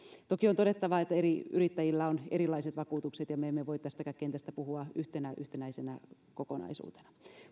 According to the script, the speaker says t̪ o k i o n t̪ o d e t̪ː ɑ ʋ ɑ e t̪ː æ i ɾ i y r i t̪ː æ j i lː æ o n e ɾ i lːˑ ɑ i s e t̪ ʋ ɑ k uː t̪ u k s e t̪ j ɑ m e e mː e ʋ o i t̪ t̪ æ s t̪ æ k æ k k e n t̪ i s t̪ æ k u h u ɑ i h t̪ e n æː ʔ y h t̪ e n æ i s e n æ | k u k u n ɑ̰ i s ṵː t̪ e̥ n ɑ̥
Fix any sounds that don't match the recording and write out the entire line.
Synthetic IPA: t̪ o k i o n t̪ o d e t̪ː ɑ ʋ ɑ e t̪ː æ e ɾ i y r i t̪ː æ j i lː æ o n e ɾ i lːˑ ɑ i s e t̪ ʋ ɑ k uː t̪ u k s e t̪ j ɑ m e e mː e ʋ o i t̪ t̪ æ s t̪ æ k æ k k e n t̪ æ s t̪ æ p u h u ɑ y h t̪ e n æ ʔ y h t̪ e n æ i s e n æ | k o k o n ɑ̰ i s ṵː t̪ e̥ n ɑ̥

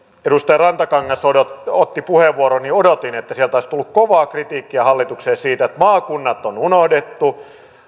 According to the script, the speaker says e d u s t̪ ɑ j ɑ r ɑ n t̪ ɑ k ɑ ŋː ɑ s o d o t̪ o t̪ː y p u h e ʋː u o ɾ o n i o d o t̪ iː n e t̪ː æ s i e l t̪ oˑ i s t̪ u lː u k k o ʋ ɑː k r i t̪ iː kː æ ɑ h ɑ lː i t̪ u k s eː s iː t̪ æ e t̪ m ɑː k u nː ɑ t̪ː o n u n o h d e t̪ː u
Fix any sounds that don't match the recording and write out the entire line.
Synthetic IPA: e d u s t̪ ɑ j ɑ r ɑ n t̪ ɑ k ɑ ŋː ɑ s o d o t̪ o t̪ː i p u h e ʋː u o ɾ o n i o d o t̪ i n e t̪ː æ s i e l t̪ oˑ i s t̪ u lː u k k o ʋ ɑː k r i t̪ iː kː i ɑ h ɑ lː i t̪ u k s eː s iː t̪ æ e t̪ m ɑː k u nː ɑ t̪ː o n u n o h d e t̪ː u

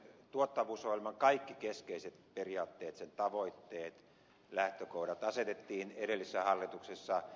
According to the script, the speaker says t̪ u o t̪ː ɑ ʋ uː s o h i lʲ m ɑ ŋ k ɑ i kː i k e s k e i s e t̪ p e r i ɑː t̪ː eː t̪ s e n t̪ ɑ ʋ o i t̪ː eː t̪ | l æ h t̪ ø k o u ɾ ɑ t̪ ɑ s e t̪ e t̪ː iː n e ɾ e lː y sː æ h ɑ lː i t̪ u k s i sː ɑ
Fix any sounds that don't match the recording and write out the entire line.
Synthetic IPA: t̪ u o t̪ː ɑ ʋ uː s o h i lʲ m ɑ ŋ k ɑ i kː i k e s k e i s e t̪ p e r i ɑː t̪ː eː t̪ s e n t̪ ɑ ʋ o i t̪ː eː t̪ | l æ h t̪ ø k o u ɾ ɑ t̪ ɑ s e t̪ e t̪ː iː n e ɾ e lː i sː æ h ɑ lː i t̪ u k s e sː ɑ

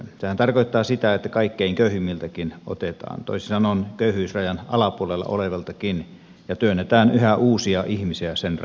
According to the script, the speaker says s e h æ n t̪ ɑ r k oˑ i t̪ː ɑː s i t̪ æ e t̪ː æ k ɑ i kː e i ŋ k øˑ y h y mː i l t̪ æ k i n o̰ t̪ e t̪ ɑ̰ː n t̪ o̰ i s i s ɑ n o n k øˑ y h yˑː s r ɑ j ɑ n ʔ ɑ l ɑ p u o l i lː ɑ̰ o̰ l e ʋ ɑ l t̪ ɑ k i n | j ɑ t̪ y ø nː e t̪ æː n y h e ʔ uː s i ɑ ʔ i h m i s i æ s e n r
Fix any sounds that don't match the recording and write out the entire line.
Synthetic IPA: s e h æ n t̪ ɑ r k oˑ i t̪ː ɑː s i t̪ æ e t̪ː æ k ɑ i kː e i ŋ k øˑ y h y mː i l t̪ æ k i n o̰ t̪ e t̪ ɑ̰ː n t̪ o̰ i s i s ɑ n o n k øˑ y h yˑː s r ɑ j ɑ n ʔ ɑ l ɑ p u o l e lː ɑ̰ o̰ l e ʋ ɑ l t̪ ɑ k i n | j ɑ t̪ y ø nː e t̪ æː n y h æ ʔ uː s i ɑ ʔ i h m i s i æ s e n r

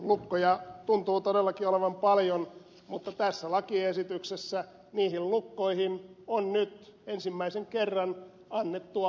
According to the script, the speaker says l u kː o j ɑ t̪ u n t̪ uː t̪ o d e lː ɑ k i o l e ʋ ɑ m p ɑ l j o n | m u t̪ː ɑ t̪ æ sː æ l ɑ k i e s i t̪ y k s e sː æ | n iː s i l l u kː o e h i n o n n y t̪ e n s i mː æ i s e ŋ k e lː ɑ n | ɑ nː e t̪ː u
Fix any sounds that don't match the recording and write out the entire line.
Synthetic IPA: l u kː o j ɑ t̪ u n t̪ uː t̪ o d e lː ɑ k i o l e ʋ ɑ m p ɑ l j o n | m u t̪ː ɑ t̪ æ sː æ l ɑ k i e s i t̪ y k s e sː æ | n iː h i l l u kː o i h i n o n n y t̪ e n s i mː æ i s e ŋ k e rː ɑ n | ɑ nː e t̪ː u

